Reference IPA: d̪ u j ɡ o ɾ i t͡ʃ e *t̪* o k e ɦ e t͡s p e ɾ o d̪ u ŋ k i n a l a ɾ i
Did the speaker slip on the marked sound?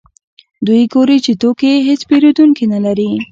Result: no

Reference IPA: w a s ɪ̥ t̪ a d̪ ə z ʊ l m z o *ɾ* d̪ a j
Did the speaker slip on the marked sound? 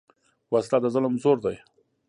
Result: no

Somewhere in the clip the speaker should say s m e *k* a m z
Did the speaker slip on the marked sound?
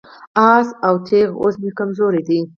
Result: no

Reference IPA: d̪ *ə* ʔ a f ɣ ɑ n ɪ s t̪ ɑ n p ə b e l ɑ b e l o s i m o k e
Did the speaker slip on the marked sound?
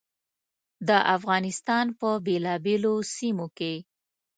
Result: no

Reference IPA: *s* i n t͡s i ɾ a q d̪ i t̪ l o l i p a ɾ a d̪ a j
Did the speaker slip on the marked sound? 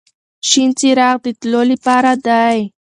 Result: yes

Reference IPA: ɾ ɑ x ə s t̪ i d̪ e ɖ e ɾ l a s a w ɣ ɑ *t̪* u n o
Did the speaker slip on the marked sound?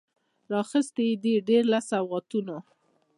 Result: no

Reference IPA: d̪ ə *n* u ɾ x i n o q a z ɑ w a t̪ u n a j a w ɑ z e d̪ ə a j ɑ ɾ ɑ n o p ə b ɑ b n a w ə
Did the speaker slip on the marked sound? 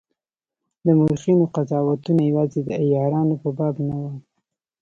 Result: yes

